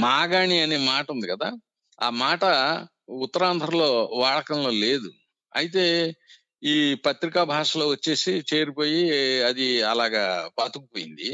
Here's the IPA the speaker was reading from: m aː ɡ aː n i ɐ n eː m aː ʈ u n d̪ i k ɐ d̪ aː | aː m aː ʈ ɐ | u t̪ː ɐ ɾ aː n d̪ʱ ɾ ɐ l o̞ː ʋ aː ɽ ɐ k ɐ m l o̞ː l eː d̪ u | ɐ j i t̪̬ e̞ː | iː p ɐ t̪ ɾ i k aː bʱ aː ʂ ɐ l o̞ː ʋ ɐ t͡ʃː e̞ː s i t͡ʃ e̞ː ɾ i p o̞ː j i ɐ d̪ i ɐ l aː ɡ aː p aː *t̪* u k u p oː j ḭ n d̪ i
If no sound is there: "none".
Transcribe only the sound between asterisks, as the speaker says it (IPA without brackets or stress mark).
t̪